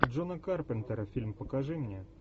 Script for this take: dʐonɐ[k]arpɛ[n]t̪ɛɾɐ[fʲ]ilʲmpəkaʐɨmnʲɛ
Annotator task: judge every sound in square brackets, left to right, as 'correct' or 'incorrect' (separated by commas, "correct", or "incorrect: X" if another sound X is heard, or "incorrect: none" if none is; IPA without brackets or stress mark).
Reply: correct, correct, correct